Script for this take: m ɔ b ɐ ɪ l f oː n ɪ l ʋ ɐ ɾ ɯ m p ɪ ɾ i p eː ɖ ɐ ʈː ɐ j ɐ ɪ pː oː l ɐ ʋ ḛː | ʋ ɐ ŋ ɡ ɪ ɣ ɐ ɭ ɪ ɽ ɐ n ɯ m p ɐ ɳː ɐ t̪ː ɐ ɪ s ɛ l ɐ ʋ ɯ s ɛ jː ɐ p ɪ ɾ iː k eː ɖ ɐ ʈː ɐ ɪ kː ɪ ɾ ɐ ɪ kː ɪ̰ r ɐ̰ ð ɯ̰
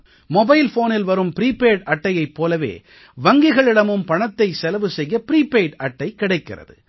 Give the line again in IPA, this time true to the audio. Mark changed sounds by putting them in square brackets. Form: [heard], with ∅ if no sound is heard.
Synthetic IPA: m ɔ b ɐ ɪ l f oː n ɪ l ʋ ɐ ɾ ɯ m p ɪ ɾ [iː] p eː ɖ ɐ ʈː ɐ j ɐ ɪ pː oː l ɐ ʋ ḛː | ʋ ɐ ŋ ɡ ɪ ɣ ɐ ɭ ɪ ɽ ɐ [m] ɯ m p ɐ [ɳ] ɐ t̪ː ɐ ɪ s ɛ l ɐ ʋ ɯ s ɛ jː ɐ p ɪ ɾ iː [p] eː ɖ ɐ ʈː ɐ ɪ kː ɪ [ɽ] ɐ ɪ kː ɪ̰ r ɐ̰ ð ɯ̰

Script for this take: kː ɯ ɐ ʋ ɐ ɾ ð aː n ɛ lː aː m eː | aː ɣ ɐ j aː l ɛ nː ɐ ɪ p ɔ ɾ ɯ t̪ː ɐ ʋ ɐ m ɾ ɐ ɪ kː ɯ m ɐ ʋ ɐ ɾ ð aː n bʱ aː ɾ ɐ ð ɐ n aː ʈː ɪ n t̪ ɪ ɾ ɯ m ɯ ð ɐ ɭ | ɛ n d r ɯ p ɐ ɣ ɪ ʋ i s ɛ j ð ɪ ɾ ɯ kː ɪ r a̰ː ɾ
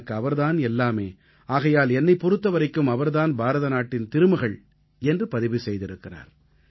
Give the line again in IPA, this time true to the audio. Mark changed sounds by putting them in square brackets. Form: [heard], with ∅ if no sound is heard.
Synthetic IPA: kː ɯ ɐ ʋ ɐ ɾ ð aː n ɛ lː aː m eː | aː ɣ ɐ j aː l ɛ nː ɐ ɪ p ɔ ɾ ɯ t̪ː ɐ ʋ ɐ [∅] ɾ ɐ ɪ kː ɯ m ɐ ʋ ɐ ɾ ð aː n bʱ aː ɾ ɐ ð ɐ n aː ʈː ɪ n t̪ ɪ ɾ ɯ m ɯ [ɣ] ɐ ɭ | ɛ n d r ɯ p ɐ [ð] ɪ ʋ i s ɛ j ð ɪ ɾ ɯ kː ɪ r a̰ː ɾ

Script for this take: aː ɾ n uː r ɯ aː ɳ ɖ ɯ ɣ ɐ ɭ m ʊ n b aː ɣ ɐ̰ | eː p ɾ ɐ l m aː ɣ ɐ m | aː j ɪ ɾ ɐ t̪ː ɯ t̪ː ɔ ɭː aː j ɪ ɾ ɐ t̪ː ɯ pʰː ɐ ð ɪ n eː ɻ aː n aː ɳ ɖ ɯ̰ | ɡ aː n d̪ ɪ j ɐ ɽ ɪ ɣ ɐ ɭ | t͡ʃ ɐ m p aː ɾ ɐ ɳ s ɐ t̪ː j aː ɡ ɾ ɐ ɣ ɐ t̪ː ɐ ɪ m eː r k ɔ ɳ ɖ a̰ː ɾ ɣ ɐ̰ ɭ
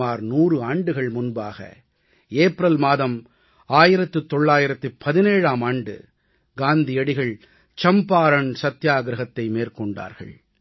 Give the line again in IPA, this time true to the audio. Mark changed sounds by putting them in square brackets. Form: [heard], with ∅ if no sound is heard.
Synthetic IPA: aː ɾ n uː r ɯ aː ɳ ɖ ɯ ɣ ɐ ɭ m ʊ n b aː ɣ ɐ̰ | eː p ɾ ɐ l m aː [ð] ɐ m | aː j ɪ ɾ ɐ t̪ː ɯ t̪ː ɔ ɭː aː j ɪ ɾ ɐ t̪ː ɯ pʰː ɐ ð ɪ n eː ɻ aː [m] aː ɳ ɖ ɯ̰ | ɡ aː n d̪ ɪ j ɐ ɽ ɪ ɣ ɐ ɭ | t͡ʃ ɐ m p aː ɾ ɐ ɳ s ɐ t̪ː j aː ɡ ɾ ɐ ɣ ɐ t̪ː ɐ ɪ m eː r k ɔ ɳ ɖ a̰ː ɾ ɣ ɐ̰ ɭ

